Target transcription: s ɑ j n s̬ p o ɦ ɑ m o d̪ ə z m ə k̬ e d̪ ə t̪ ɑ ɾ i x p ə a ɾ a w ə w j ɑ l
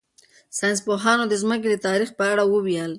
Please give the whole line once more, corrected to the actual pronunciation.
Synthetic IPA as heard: s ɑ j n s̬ p o ɦ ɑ n o d̪ ə z m ə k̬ e d̪ ə t̪ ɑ ɾ i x p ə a ɽ a w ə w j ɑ l